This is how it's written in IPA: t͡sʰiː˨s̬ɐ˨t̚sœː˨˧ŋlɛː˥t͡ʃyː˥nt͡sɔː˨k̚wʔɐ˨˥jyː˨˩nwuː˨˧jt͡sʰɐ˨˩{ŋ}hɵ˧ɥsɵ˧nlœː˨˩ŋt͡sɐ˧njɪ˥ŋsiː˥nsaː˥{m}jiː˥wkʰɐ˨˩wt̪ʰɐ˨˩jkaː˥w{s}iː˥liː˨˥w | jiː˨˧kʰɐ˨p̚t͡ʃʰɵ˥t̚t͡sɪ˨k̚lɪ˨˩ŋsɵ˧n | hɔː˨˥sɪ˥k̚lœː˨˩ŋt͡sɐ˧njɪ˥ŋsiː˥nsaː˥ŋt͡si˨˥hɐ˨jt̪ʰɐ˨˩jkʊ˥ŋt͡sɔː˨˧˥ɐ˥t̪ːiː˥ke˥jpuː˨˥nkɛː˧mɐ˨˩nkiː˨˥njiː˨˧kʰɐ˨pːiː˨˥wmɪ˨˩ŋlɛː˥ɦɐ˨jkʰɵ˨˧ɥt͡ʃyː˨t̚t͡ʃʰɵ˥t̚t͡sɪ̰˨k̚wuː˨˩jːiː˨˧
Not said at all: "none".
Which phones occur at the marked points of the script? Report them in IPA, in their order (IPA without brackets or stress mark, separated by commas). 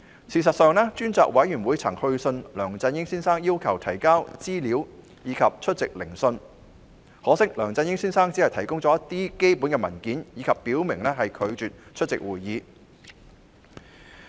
ŋ, ŋ, t͡s